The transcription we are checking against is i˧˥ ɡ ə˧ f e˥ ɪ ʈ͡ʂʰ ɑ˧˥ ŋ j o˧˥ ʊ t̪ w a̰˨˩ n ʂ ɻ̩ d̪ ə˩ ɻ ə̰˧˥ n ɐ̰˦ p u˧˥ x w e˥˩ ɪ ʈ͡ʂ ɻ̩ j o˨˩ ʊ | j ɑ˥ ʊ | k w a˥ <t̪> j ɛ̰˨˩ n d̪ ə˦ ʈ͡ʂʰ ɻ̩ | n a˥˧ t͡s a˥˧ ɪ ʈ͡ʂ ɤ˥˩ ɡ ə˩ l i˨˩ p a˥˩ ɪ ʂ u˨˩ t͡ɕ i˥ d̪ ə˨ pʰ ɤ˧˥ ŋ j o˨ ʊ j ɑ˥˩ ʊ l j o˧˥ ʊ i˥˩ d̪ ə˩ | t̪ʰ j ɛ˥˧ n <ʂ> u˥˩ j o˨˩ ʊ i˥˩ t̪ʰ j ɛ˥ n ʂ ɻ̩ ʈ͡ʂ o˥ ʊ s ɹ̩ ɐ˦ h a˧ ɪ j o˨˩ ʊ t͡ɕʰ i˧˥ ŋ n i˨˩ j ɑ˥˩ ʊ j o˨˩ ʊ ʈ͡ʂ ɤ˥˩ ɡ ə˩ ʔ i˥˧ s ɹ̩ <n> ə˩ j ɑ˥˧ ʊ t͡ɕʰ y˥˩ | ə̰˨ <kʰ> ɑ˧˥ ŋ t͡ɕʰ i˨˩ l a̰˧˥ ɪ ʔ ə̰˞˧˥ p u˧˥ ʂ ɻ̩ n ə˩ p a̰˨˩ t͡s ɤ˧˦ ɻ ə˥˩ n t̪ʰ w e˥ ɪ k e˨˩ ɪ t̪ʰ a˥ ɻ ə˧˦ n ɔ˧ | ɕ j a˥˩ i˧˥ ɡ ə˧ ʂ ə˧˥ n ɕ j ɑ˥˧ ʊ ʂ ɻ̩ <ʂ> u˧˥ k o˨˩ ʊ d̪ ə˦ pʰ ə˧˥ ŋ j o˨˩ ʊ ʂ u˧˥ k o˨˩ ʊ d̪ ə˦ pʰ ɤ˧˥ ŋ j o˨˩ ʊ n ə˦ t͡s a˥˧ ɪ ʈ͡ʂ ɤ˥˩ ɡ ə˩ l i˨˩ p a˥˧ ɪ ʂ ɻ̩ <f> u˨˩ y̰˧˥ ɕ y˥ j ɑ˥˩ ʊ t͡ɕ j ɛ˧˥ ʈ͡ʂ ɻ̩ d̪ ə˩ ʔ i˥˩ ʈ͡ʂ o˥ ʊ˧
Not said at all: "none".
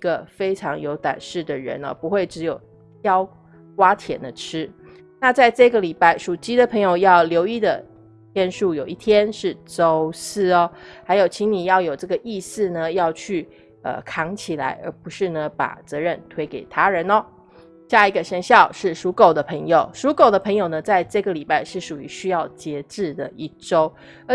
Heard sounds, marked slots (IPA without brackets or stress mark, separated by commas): t̪ʰ, ʂ, n, kʰ, ʂ, ʂ